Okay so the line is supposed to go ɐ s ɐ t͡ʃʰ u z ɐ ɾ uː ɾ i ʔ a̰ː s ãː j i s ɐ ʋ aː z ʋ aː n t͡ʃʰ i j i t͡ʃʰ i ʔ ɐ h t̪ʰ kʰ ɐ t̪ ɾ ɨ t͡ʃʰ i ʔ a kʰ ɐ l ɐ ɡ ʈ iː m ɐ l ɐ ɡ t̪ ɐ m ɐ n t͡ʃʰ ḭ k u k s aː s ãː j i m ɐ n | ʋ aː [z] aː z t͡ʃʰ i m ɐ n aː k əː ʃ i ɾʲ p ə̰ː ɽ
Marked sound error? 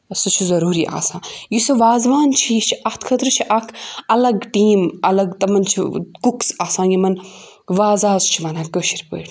no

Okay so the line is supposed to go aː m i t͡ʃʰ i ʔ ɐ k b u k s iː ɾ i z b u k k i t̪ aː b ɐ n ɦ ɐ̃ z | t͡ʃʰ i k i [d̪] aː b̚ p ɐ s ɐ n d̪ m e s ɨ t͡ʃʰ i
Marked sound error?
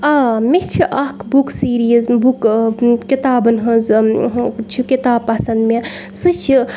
yes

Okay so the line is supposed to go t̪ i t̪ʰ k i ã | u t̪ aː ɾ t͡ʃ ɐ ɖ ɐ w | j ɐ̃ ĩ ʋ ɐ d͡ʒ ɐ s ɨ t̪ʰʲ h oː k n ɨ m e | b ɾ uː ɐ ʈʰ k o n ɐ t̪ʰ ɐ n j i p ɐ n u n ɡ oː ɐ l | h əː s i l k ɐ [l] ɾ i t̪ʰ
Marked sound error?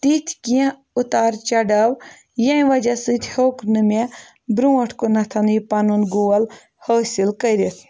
yes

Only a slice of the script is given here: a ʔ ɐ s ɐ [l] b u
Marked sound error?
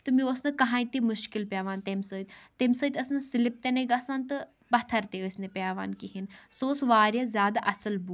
no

